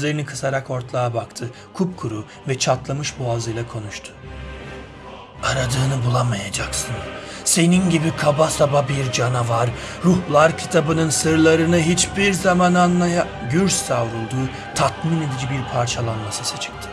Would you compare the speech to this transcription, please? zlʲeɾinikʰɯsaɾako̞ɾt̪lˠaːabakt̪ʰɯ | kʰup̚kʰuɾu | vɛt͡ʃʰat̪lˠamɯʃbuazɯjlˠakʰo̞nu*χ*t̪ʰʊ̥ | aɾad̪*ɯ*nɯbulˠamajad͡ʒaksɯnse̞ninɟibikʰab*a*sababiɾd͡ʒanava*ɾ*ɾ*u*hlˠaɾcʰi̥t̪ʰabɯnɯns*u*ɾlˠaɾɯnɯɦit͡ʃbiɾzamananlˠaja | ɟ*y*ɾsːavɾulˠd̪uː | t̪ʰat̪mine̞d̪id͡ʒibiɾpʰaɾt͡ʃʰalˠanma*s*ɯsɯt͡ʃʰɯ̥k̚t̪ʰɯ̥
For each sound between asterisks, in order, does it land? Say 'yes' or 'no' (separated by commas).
no, no, yes, yes, yes, no, yes, yes